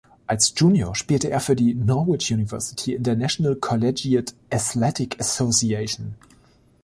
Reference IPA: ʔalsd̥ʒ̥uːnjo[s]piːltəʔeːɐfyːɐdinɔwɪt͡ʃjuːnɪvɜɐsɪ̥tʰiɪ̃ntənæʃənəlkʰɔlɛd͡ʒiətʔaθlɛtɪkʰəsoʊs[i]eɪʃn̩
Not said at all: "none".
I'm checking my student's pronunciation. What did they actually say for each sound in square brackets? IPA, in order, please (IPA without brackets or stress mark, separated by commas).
ʃ, i